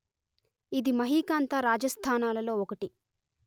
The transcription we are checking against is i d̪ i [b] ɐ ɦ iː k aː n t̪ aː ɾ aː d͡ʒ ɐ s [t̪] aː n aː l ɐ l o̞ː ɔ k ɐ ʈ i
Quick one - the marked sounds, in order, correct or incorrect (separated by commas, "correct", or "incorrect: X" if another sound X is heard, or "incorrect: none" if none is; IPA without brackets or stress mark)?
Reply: incorrect: m, incorrect: t̪ʰ